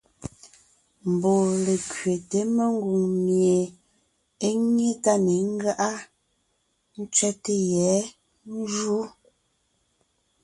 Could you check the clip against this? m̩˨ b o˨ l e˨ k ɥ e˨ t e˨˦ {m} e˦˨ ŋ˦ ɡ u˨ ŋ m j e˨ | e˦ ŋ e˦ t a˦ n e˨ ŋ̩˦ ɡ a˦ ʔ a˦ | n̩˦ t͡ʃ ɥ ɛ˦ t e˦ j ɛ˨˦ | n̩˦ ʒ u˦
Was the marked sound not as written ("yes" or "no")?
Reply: no